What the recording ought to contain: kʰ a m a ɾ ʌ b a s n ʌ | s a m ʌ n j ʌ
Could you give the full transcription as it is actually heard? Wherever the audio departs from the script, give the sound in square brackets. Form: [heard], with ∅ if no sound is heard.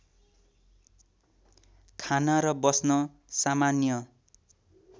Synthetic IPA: kʰ a [n] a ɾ ʌ b [ʌ] s n ʌ | s a m [a] n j ʌ